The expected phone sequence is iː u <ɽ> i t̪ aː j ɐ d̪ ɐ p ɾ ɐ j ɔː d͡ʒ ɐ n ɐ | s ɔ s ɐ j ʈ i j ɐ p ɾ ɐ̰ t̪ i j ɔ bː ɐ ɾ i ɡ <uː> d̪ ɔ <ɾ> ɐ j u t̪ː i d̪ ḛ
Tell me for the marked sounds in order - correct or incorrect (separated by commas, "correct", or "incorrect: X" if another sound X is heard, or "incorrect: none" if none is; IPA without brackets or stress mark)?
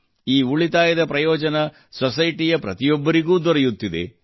incorrect: ɭ, correct, correct